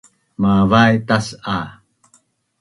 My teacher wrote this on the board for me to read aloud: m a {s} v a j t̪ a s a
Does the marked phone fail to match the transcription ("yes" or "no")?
yes